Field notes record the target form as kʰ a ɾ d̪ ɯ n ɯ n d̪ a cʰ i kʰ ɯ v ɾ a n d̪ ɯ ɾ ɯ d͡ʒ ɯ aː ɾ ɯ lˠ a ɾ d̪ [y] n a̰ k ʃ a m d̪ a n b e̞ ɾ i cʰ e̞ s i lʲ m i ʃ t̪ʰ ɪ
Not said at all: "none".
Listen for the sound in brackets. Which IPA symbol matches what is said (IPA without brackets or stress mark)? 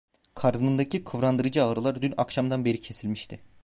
y